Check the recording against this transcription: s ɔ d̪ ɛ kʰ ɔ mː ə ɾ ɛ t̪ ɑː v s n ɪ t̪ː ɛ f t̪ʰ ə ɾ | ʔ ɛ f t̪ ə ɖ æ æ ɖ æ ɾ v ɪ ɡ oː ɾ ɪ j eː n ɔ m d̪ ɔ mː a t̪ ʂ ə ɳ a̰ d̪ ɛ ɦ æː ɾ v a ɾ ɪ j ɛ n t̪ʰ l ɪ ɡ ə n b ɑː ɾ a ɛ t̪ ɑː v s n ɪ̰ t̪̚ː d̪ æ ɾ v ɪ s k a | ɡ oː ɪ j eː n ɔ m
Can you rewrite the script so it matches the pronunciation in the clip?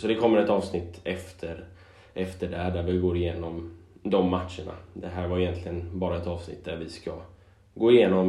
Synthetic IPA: s ɔ d̪ ɛ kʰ ɔ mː ə ɾ ɛ t̪ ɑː v s n ɪ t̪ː ɛ f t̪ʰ ə ɾ | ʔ ɛ f t̪ ə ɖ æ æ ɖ æ ɾ v ɪ ɡ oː ɾ ɪ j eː n ɔ m d̪ ɔ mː a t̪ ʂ ə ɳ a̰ d̪ ɛ ɦ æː ɾ v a ɾ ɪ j ɛ n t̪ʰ l ɪ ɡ ə n b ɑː ɾ a ɛ t̪ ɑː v s n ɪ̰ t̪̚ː d̪ æ ɾ v ɪ s k a | ɡ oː ɪ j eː n ɔ m